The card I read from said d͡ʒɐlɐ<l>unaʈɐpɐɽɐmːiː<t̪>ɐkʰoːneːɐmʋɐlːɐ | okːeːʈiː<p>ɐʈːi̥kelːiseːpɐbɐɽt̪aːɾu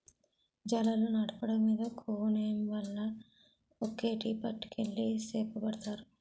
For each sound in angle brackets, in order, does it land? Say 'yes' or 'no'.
yes, no, yes

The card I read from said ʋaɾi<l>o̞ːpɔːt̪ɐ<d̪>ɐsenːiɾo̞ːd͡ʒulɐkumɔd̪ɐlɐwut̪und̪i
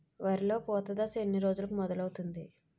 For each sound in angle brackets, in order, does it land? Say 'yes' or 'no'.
yes, yes

